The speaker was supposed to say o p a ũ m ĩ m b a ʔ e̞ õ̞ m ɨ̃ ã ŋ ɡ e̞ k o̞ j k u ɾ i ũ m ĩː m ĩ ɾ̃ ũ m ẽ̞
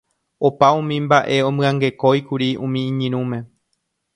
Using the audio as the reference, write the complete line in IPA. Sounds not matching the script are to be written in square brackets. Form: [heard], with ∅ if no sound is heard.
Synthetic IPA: o p a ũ m ĩ m b a ʔ e̞ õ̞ m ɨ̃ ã ŋ ɡ e̞ k o̞ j k u ɾ i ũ m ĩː [ɲ] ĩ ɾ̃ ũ m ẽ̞